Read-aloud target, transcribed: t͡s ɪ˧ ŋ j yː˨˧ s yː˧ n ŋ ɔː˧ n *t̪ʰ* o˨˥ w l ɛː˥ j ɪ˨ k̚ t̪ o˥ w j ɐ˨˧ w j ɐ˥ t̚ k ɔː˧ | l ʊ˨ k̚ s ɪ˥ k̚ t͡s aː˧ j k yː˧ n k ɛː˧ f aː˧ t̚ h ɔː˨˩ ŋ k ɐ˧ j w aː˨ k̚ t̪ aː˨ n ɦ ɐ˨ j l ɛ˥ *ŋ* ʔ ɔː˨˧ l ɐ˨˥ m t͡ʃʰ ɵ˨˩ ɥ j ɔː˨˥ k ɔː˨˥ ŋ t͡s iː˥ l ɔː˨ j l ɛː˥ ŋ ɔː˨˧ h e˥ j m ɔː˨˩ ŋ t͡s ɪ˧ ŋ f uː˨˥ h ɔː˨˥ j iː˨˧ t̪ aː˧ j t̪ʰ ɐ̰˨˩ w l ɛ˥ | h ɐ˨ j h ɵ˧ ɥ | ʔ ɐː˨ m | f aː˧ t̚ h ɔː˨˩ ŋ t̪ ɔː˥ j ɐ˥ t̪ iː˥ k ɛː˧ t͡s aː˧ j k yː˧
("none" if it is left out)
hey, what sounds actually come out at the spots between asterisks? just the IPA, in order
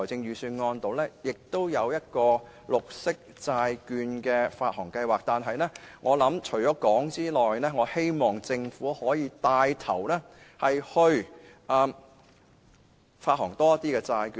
t̪, ŋ

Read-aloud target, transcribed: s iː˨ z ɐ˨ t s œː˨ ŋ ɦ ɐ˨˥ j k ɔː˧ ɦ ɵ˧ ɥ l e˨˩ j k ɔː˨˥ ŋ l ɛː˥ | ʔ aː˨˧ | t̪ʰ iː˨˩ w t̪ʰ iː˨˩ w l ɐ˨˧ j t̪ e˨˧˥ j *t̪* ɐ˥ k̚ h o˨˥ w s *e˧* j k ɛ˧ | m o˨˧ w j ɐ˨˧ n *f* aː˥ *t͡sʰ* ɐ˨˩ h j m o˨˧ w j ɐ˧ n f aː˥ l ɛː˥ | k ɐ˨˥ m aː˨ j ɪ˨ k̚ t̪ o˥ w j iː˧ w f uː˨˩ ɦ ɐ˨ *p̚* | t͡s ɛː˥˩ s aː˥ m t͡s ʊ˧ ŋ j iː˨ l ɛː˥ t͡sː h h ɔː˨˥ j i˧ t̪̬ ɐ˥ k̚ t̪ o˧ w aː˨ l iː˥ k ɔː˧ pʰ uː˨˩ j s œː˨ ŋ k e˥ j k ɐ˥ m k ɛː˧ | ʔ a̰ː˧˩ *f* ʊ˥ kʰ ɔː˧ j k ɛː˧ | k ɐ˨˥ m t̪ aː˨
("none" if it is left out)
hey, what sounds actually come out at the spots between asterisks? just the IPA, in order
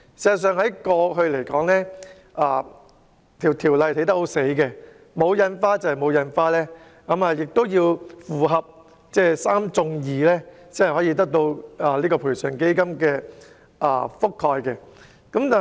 t̪, e˨˥, f, t͡s, p̚, f

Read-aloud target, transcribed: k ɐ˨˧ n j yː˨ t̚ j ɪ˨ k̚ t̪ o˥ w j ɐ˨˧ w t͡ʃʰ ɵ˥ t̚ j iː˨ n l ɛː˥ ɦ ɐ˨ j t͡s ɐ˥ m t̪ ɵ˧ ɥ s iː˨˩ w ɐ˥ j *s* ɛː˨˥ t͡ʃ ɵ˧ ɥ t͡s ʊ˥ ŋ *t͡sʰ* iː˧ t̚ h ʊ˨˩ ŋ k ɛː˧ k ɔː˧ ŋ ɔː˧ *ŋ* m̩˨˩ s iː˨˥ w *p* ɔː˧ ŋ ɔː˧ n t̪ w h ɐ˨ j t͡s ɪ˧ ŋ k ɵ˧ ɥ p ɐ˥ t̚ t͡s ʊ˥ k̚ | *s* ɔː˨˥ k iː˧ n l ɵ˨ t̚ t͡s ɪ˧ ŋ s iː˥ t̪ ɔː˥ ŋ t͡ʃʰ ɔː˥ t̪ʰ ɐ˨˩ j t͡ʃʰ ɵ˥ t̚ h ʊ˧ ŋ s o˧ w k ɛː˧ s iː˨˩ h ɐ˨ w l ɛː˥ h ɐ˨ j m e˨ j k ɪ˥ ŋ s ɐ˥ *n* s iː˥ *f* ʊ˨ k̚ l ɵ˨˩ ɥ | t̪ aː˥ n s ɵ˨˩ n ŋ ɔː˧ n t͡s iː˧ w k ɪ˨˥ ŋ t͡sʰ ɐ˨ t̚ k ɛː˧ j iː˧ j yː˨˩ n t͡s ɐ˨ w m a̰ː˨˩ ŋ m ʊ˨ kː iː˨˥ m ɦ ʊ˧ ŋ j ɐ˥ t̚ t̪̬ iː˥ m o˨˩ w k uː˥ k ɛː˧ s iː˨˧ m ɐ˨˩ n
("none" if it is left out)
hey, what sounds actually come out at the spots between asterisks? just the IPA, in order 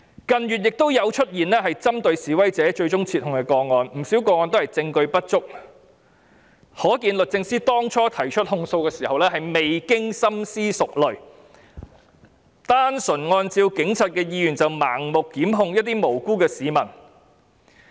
t͡s, t͡sʰ, n, k, h, m, s

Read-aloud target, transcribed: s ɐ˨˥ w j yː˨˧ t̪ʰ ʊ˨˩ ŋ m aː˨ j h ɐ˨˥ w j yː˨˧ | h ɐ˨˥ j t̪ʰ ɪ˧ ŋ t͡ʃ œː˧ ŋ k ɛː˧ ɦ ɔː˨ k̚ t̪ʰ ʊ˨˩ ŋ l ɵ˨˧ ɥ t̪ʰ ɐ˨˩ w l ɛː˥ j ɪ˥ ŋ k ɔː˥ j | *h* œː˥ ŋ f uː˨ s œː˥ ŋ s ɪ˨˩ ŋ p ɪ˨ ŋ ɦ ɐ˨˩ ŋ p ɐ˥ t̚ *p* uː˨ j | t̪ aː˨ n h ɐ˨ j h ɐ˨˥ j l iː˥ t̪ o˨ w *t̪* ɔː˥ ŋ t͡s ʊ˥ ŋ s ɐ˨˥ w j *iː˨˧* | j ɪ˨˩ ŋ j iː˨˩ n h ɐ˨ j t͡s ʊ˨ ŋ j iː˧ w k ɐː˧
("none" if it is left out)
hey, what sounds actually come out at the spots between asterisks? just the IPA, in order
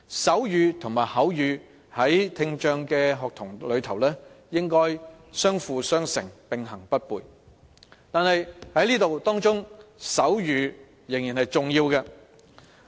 s, p, t̪, yː˨˧

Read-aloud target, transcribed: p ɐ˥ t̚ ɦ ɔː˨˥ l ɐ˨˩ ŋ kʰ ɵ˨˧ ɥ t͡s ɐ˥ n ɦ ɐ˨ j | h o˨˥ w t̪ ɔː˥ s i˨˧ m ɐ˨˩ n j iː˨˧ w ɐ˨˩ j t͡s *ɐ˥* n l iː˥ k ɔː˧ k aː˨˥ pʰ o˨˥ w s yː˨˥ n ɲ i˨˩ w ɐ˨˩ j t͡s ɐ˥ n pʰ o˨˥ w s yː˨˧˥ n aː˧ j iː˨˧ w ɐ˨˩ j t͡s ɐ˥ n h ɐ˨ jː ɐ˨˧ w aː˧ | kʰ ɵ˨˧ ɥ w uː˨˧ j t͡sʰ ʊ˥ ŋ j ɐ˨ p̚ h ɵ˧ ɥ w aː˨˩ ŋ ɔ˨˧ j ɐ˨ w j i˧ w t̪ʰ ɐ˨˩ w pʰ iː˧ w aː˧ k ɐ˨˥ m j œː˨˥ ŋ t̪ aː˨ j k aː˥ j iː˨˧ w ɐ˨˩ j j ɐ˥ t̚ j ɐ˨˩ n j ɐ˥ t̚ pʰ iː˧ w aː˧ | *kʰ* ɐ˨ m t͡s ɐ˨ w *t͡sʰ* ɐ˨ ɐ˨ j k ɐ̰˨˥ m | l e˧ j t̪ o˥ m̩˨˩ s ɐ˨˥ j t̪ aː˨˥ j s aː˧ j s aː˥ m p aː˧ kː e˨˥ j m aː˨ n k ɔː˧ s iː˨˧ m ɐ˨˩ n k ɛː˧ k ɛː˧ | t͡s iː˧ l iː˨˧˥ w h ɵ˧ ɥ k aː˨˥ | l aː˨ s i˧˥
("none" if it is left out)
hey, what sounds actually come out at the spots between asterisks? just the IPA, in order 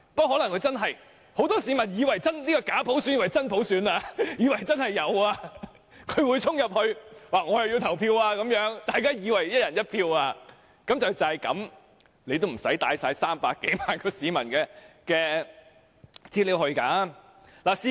ɐ˥, k, t͡s

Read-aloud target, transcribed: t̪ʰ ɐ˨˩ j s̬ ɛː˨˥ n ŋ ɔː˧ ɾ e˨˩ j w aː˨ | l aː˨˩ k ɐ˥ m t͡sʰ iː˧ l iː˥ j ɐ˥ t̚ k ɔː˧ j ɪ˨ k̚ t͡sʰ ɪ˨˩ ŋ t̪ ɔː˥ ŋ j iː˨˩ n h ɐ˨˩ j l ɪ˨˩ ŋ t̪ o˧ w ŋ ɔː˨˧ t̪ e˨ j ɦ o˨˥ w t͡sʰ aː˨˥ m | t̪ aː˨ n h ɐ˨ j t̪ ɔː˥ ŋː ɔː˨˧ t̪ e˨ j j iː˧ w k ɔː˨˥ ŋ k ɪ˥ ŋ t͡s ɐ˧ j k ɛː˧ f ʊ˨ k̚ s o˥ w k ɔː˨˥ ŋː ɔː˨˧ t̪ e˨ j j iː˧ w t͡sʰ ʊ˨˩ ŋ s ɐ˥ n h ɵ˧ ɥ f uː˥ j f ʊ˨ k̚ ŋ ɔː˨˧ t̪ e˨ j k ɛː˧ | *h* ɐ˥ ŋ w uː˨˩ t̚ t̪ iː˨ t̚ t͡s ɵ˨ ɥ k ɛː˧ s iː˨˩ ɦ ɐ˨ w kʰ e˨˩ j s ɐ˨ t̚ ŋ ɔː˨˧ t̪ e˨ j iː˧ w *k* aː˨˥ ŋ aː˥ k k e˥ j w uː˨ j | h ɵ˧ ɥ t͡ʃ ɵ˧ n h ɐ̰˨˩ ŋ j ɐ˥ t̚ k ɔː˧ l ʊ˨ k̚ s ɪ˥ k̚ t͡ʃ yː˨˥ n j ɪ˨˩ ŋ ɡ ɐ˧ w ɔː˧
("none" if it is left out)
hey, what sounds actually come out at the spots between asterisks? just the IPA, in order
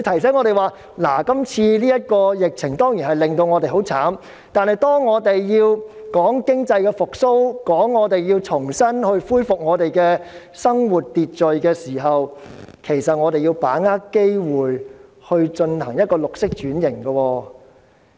s, p

